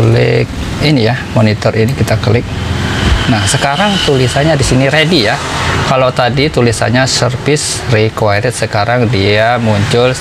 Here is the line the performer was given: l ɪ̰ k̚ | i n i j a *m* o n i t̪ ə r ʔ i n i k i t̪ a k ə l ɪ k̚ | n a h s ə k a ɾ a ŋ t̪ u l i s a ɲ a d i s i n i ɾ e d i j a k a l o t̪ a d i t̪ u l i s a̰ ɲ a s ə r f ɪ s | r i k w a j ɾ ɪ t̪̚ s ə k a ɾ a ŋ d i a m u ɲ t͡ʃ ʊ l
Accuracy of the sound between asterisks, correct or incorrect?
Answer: correct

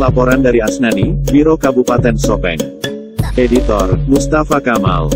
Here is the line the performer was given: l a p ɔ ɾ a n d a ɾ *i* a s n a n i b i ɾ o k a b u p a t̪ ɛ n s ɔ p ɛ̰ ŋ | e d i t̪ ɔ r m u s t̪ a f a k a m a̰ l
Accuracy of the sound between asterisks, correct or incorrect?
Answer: correct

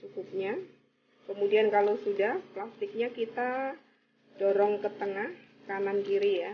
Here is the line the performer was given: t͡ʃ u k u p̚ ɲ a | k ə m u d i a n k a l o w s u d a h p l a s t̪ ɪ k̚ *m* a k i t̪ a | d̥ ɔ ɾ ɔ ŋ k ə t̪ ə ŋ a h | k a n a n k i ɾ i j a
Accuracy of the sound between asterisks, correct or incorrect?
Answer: incorrect: ɲ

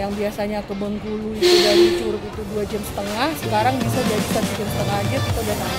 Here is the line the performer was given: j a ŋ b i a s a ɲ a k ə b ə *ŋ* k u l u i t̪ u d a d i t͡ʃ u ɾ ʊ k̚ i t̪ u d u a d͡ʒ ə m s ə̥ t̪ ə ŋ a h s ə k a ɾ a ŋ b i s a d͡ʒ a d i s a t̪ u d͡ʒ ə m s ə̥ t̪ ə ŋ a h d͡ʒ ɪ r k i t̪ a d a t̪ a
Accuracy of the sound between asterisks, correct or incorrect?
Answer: correct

